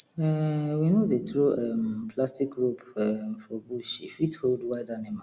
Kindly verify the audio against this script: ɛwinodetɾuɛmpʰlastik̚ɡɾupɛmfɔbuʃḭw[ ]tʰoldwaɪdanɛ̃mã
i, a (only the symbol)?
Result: i